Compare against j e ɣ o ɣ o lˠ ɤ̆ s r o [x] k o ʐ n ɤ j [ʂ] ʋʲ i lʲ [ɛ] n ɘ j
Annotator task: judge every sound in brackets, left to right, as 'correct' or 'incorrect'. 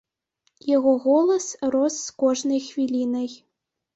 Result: incorrect: s, incorrect: x, incorrect: i

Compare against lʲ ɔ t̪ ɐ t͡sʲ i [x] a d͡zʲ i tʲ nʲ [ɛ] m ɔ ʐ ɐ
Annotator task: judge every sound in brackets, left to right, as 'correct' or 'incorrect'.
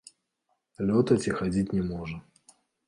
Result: correct, correct

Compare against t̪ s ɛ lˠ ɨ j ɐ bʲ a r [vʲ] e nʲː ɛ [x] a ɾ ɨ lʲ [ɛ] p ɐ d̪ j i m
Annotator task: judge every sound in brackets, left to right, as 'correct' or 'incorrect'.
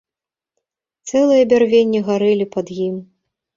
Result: correct, incorrect: ɣ, incorrect: i

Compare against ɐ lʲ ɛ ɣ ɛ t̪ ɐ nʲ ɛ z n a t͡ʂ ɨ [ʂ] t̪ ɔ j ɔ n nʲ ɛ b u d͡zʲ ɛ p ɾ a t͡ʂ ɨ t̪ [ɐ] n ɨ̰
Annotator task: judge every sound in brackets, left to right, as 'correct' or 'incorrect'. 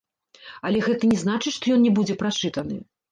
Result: correct, correct

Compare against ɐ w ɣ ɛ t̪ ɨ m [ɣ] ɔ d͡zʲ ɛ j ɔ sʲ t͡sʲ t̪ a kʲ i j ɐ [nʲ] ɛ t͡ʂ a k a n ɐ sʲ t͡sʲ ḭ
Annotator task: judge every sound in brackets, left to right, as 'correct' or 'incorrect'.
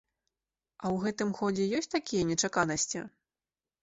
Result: incorrect: x, correct

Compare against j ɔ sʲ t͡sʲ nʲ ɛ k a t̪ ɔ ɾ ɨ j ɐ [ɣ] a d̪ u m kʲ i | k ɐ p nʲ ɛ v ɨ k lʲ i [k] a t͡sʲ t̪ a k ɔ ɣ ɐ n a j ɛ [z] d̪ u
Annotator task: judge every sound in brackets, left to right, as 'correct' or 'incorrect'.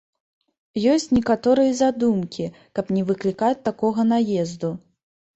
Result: incorrect: z, correct, correct

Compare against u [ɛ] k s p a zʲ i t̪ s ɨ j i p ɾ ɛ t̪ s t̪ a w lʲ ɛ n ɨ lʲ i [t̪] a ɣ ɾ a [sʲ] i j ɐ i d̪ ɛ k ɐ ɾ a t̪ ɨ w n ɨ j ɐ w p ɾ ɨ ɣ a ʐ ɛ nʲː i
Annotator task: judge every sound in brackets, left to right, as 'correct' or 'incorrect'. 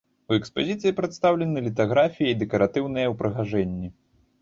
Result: correct, correct, incorrect: fʲ

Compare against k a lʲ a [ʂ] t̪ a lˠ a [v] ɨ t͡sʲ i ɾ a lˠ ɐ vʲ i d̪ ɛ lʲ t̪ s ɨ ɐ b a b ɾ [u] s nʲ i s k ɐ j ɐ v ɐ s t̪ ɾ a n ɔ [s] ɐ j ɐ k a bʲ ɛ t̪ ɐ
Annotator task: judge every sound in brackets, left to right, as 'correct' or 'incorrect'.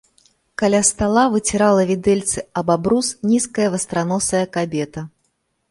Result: incorrect: s, correct, correct, correct

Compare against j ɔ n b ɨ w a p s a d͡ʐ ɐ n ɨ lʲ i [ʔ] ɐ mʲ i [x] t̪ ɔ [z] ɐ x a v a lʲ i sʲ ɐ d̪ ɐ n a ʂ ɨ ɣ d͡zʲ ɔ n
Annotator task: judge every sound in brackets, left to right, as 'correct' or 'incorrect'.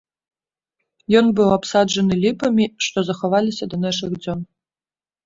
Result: incorrect: p, incorrect: ʂ, correct

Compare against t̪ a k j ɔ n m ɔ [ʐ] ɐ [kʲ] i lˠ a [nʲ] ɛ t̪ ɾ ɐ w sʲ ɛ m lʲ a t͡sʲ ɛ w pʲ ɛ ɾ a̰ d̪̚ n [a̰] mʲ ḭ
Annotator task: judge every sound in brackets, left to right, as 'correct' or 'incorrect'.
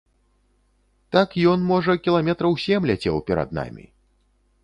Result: correct, correct, incorrect: mʲ, correct

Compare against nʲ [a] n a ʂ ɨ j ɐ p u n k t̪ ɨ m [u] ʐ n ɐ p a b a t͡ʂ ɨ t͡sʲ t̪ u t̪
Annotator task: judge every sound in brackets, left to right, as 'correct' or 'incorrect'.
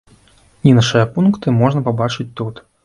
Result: incorrect: i, incorrect: ɔ

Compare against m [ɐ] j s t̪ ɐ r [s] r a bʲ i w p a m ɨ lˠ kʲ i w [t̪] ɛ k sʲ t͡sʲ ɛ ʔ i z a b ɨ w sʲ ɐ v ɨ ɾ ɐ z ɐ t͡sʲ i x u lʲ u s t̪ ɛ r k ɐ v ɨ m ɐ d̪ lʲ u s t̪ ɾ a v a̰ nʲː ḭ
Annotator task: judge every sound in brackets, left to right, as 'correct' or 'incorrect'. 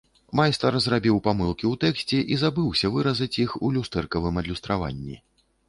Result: incorrect: a, incorrect: z, correct

